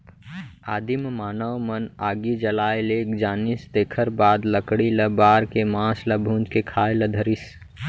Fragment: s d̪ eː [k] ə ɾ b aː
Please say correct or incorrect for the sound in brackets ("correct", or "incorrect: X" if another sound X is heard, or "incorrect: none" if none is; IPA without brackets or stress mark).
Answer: incorrect: kʰ